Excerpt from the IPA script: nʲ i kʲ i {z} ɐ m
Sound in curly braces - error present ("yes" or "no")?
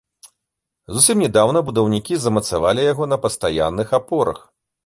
no